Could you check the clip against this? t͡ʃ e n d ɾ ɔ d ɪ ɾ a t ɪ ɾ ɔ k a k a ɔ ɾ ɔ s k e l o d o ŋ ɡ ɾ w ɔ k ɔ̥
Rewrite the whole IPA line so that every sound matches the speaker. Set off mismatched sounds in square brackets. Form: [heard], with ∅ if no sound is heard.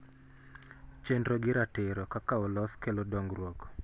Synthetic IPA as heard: t͡ʃ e n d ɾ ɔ [ɡ] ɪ ɾ a t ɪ ɾ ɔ k a k a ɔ [l] ɔ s k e l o d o ŋ ɡ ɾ w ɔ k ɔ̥